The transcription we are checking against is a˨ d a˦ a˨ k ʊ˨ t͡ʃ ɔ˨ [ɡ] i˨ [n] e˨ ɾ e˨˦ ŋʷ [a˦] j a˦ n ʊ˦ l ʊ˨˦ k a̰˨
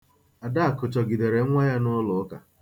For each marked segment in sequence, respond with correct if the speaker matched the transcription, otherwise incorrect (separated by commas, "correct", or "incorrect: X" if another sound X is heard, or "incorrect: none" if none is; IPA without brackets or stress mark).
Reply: correct, incorrect: d, correct